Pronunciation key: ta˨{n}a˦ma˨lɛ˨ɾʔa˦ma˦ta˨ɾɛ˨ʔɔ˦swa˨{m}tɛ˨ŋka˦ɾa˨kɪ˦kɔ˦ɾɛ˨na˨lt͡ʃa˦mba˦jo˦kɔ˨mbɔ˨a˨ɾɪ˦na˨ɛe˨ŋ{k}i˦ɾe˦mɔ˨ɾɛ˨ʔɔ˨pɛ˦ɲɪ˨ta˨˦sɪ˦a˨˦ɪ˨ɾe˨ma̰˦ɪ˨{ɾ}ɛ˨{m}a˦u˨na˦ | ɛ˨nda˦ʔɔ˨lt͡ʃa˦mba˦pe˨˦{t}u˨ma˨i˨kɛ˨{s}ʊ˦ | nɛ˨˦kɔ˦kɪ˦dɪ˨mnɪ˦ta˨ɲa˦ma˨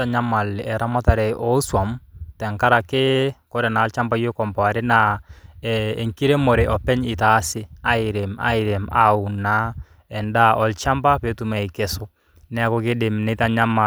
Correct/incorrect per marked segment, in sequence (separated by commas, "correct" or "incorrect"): incorrect, correct, correct, correct, correct, correct, correct